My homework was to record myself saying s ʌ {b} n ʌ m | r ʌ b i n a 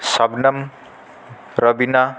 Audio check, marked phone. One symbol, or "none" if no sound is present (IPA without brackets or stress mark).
b